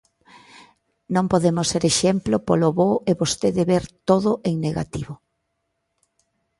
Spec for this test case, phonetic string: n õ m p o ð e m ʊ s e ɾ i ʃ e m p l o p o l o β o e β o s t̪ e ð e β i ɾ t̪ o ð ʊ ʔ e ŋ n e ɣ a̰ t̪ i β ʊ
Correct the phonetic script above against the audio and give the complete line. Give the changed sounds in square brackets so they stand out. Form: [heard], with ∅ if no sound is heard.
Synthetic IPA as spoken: n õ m p o ð e m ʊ s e ɾ [e] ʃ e m p l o p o l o β o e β o s t̪ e ð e β [e] ɾ t̪ o ð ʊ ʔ e ŋ n e ɣ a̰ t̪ i β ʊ